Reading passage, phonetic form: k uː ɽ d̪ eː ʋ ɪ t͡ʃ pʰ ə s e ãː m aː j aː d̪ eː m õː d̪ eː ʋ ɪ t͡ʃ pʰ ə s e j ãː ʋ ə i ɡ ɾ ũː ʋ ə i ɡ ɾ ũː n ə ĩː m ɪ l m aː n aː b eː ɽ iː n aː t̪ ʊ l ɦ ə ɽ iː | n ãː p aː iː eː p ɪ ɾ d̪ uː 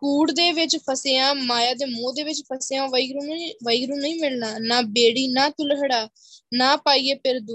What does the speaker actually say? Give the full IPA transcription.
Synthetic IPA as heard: k uː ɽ d̪ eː ʋ ɪ t͡ʃ pʰ ə s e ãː m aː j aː d̪ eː m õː d̪ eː ʋ ɪ t͡ʃ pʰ ə s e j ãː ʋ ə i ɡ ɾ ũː ʋ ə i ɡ ɾ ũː n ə ĩː m ɪ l n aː n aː b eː ɽ iː n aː t̪ ʊ l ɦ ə ɽ aː | n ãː p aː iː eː p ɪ ɾ d̪ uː